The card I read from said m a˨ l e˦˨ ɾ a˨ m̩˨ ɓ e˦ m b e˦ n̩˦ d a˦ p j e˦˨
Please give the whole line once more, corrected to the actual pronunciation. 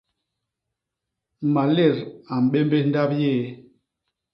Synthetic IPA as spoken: m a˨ l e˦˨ ɾ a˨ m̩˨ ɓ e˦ m b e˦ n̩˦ d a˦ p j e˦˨